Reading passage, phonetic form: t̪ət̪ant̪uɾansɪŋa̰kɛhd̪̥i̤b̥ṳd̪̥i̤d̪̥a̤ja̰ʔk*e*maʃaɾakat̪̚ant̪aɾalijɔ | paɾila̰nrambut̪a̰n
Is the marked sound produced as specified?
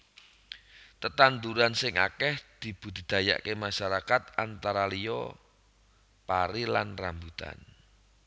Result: yes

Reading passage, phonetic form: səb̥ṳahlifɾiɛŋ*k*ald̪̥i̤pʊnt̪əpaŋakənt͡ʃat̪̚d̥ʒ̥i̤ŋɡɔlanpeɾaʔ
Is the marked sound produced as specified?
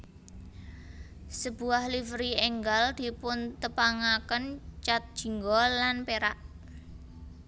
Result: no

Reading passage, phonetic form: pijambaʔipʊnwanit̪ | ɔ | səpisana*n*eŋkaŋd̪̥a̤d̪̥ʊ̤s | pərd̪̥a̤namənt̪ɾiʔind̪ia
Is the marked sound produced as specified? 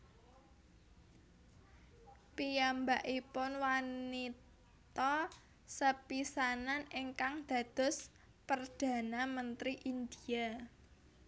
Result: yes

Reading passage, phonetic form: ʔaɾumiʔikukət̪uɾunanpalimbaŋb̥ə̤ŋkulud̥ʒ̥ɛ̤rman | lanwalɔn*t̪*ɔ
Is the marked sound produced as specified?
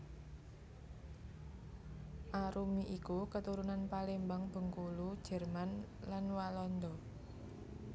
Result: no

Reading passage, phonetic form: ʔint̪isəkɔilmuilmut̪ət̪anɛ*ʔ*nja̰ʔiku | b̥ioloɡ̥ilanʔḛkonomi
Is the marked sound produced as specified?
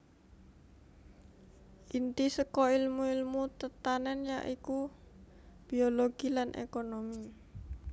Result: no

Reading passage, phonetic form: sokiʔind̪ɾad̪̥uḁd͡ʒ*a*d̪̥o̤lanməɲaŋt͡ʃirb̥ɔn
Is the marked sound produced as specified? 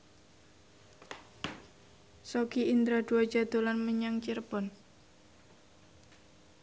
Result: yes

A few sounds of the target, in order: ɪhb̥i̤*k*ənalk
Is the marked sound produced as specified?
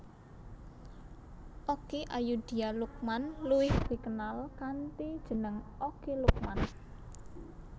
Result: yes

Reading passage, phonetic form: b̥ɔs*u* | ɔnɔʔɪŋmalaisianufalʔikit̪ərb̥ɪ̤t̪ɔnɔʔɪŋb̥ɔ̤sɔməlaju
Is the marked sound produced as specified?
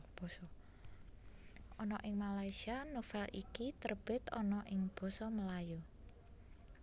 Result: no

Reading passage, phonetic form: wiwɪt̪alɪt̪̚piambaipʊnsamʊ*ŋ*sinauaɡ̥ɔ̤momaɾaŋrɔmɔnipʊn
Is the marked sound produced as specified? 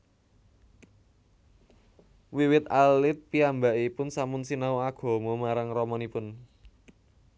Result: no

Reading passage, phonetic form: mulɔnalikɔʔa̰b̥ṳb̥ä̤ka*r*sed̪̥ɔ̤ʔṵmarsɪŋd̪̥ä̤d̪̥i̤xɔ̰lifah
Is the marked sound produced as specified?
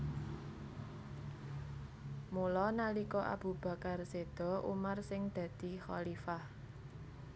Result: yes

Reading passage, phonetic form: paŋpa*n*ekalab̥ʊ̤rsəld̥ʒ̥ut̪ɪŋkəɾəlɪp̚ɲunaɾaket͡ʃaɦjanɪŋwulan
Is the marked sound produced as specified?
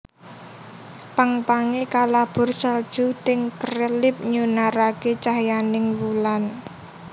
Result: no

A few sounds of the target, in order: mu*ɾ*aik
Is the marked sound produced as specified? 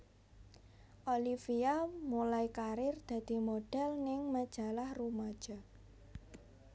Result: no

